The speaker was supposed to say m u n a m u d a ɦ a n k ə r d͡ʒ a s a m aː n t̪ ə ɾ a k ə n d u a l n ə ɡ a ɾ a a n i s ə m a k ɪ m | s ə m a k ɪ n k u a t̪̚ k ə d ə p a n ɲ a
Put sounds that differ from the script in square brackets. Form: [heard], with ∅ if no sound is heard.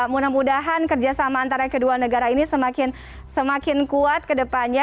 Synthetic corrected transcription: m u n a m u d a ɦ a n k ə r d͡ʒ a s a m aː n t̪ [a] ɾ a k ə [∅] d u a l n ə ɡ a ɾ a [i] n i s ə m a k ɪ [n] | s ə m a k ɪ n k u a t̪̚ k ə d ə p a n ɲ a